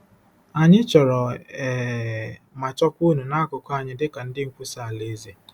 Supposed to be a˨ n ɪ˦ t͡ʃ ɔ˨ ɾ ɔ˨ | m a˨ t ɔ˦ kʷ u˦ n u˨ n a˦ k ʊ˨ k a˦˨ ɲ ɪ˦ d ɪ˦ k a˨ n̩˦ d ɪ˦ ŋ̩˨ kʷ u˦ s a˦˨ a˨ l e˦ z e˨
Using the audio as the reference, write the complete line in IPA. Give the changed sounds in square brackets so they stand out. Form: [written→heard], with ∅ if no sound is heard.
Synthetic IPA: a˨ [n→ɲ] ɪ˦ t͡ʃ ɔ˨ ɾ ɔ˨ | m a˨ [t→t͡ʃ] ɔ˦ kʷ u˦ n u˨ n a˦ k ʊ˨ k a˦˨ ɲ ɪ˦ d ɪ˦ k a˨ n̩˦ d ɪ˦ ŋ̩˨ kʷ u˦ s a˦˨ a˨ l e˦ z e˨